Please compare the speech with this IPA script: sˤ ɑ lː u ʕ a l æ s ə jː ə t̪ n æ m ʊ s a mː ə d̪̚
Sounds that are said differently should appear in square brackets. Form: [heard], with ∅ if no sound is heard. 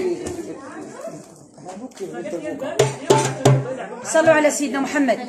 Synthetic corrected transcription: sˤ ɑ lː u ʕ a l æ s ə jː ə [d̪] n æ m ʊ [ħ] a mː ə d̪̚